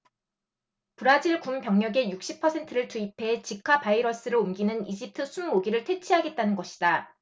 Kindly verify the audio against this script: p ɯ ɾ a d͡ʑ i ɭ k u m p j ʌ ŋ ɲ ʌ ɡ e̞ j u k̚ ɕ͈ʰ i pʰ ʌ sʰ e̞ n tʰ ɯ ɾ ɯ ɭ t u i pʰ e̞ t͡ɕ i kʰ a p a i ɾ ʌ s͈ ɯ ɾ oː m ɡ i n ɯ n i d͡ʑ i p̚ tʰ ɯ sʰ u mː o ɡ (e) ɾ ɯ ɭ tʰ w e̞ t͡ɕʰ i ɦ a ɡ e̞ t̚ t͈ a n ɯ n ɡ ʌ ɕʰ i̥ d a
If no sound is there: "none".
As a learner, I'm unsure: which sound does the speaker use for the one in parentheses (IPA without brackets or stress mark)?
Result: i